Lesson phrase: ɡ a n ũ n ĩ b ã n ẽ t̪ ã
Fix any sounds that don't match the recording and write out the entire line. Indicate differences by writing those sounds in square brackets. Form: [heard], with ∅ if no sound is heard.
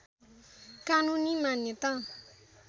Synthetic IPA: [k] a n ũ n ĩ [m] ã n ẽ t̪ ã